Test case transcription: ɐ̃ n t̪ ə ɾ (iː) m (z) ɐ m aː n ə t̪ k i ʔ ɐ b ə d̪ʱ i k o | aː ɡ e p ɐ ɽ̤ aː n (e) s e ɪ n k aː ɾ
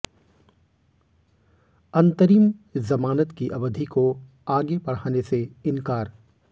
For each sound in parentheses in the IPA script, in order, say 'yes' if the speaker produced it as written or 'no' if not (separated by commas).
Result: yes, yes, yes